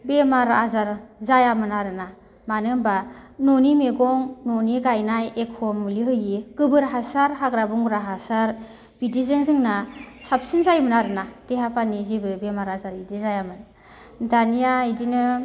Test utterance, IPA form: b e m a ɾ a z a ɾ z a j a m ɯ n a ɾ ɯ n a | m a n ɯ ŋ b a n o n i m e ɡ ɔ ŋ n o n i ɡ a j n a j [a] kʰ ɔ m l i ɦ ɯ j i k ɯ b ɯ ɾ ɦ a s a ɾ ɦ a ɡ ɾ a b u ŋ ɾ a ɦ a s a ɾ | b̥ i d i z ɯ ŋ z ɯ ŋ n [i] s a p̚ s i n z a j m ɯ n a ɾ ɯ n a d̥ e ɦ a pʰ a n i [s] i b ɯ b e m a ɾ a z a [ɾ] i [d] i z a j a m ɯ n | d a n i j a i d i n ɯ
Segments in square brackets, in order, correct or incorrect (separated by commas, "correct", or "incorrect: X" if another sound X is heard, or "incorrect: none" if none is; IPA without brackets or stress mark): incorrect: e, incorrect: a, incorrect: z, correct, correct